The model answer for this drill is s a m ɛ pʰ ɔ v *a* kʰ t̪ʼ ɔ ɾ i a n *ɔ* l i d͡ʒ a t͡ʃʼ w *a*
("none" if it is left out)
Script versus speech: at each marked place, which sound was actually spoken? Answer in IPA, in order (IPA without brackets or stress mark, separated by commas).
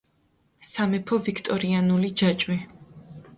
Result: i, u, i